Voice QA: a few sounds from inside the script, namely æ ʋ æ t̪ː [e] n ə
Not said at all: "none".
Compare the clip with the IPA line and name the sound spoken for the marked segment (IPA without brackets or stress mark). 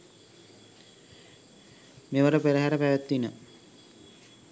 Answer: i